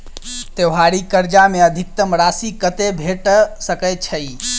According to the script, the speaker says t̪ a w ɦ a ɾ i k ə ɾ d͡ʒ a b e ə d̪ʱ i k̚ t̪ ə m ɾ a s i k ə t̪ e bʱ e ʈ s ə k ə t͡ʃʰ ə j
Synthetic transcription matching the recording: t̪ e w ɦ a ɾ i k ə ɾ d͡ʒ a m e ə d̪ʱ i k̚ t̪ ə m ɾ a s i k ə t̪ e bʱ e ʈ s ə k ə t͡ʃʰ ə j